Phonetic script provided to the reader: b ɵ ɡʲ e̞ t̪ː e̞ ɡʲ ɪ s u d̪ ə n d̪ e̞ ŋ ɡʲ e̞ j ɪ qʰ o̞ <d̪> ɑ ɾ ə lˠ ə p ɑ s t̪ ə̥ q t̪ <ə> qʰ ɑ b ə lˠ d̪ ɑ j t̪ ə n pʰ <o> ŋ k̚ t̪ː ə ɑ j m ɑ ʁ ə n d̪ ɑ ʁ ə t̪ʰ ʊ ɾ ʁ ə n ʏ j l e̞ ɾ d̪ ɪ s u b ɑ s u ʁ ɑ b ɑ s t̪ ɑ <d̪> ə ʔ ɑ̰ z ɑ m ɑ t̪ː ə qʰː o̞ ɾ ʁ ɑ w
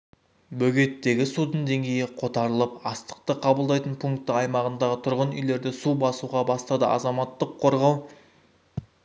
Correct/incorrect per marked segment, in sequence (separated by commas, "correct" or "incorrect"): incorrect, correct, incorrect, correct